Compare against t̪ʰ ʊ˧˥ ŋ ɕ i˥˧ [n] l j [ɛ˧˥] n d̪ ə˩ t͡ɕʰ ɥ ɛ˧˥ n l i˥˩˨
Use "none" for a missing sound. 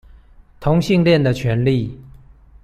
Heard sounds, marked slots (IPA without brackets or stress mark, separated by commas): ŋ, ɛ˥˩